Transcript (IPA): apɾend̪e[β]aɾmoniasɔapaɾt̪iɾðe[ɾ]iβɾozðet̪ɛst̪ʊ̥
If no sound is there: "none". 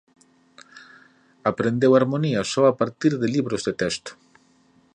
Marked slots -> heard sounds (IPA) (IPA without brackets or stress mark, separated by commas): w, l